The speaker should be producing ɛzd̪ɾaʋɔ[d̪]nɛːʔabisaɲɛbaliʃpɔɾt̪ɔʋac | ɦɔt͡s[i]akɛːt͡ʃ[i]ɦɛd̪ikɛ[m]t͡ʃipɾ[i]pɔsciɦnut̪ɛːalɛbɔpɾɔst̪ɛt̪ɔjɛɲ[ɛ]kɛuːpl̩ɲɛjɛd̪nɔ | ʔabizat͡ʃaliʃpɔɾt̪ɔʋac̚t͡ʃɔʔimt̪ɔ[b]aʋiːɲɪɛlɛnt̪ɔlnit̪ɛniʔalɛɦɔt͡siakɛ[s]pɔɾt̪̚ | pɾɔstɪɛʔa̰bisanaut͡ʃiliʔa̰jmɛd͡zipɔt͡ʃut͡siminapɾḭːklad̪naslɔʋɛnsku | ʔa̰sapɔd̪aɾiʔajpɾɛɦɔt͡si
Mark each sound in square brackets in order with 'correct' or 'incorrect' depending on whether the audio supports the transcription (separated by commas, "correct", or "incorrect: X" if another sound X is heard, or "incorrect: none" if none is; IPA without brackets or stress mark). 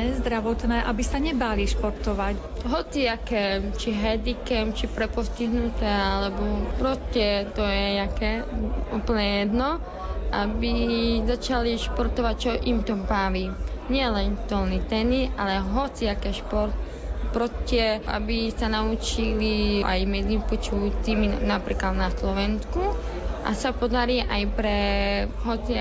incorrect: t̪, correct, correct, correct, incorrect: ɛ, incorrect: a, correct, incorrect: ʃ